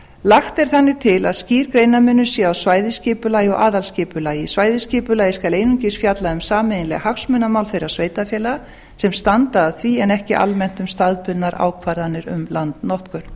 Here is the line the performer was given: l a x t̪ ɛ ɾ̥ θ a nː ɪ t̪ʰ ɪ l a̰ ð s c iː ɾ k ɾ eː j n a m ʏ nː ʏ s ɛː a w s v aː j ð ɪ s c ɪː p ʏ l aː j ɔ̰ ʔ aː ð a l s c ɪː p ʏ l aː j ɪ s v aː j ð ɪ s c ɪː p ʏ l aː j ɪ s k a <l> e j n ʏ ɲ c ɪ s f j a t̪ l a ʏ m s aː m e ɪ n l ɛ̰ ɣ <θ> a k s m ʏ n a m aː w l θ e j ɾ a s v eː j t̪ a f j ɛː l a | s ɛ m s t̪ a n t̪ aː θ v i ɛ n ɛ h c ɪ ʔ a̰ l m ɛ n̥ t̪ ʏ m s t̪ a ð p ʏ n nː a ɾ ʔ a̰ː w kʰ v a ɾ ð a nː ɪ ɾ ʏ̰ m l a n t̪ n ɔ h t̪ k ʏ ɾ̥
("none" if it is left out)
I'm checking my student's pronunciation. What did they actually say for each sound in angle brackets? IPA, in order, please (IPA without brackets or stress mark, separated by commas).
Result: l, h